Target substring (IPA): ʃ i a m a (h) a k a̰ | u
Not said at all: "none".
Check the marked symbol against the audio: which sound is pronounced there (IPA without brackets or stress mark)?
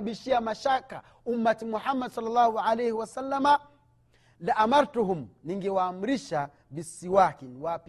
ʃ